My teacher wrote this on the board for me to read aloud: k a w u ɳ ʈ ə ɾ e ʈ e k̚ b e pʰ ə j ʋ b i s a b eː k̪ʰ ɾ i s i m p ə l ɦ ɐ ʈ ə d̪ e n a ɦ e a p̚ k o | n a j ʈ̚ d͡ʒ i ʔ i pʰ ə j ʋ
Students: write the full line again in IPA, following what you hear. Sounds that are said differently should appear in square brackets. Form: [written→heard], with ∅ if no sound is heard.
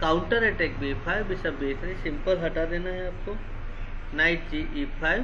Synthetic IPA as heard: k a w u ɳ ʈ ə ɾ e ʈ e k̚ b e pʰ [ə→a] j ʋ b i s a b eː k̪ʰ ɾ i s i m p ə l ɦ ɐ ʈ [ə→a] d̪ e n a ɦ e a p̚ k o | n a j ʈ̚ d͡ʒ i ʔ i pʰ [ə→a] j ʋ